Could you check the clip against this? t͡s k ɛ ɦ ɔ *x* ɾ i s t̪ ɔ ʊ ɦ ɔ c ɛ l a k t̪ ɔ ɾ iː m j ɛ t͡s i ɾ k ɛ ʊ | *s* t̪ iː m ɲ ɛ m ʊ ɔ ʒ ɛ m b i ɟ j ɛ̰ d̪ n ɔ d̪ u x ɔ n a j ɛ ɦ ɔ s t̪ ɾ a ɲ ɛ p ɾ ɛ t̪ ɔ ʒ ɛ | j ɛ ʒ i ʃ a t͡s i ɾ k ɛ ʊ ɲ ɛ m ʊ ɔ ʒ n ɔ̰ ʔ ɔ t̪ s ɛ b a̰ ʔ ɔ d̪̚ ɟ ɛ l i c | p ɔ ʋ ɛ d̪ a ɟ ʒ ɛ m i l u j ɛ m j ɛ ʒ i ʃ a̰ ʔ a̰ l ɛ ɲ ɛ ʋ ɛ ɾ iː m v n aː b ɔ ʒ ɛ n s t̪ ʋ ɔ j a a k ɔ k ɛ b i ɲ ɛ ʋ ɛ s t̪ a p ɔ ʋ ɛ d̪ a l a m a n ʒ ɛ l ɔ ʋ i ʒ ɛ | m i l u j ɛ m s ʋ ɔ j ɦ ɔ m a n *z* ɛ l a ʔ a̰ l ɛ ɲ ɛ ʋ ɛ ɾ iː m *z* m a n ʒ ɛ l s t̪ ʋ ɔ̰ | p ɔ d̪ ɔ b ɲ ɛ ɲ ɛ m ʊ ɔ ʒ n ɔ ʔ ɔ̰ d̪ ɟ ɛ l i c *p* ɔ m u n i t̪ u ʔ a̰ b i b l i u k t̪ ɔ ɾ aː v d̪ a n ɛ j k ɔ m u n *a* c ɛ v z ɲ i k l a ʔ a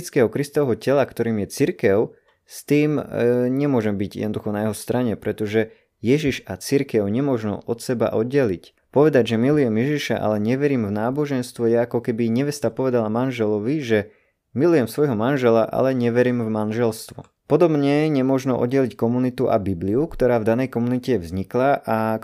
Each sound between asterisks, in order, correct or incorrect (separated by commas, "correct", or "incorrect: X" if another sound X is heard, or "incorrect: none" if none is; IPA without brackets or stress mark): incorrect: k, correct, incorrect: ʒ, incorrect: v, incorrect: k, incorrect: i